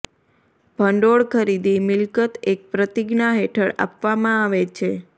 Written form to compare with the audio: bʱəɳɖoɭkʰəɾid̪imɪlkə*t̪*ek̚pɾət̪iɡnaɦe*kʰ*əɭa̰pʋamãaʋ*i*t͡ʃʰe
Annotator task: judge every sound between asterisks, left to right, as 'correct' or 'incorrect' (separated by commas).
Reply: correct, incorrect, incorrect